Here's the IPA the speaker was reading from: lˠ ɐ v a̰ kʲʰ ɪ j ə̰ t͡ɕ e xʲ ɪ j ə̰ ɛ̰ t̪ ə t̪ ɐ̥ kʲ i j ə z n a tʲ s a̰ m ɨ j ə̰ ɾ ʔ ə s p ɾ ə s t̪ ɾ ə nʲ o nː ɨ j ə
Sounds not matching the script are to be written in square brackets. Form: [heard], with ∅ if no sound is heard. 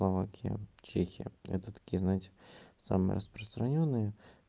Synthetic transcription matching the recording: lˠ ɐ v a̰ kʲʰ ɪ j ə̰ t͡ɕ e xʲ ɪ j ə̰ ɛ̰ t̪ ə t̪ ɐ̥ kʲ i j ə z n a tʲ s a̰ m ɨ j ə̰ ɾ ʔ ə s p ɾ ə s t̪ ɾ [ɐ] nʲ o nː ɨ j ə